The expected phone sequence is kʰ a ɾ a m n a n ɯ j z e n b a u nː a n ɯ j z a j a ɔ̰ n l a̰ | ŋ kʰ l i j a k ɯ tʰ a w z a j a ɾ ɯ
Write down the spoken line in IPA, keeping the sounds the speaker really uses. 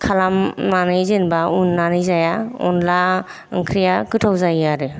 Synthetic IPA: kʰ a l a m n a n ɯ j z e n b a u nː a n ɯ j z a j a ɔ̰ n l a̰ | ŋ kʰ ɾ i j a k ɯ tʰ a w z a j a ɾ ɯ